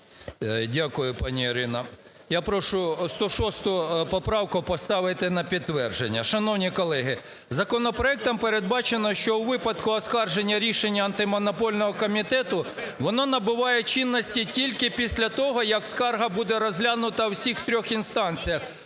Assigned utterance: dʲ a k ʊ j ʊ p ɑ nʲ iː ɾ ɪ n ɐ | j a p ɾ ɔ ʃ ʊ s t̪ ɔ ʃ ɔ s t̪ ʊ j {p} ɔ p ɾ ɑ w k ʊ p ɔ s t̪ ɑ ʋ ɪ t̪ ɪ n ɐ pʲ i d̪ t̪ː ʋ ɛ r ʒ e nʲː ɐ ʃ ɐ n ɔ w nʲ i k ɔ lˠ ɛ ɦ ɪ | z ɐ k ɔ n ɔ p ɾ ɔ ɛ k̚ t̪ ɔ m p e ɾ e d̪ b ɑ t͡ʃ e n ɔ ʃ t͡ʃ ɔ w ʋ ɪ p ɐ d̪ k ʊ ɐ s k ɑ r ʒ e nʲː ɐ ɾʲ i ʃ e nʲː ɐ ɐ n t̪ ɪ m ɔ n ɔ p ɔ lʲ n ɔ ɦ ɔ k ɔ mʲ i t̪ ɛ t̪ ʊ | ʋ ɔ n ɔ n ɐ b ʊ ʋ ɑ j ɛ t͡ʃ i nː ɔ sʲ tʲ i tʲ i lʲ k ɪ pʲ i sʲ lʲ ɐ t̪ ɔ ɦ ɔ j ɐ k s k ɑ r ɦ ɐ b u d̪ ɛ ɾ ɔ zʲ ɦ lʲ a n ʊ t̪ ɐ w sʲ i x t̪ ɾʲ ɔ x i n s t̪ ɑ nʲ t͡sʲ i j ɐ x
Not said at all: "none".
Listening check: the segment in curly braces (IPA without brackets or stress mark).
p